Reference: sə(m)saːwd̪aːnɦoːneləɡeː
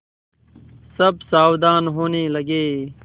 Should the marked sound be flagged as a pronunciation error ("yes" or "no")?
yes